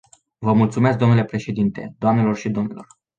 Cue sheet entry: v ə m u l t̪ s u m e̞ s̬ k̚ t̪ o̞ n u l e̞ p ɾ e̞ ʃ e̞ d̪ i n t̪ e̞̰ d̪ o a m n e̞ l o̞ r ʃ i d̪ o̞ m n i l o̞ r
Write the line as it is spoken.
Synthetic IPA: v ə m u l t̪ s u m e̞ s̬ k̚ d̪ o̞ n u l e̞ p ɾ e̞ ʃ e̞ d̪ i n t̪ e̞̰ d̪ o a m n e̞ l o̞ r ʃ i d̪ o̞ m n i l o̞ r